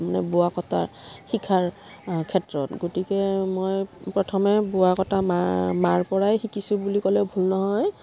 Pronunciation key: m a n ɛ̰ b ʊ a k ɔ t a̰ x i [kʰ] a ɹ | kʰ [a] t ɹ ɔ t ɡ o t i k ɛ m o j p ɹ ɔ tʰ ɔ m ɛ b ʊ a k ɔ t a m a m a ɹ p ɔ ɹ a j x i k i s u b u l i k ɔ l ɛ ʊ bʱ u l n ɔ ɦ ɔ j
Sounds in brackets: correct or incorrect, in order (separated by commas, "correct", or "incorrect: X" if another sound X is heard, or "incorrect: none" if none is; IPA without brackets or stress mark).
correct, incorrect: ɛ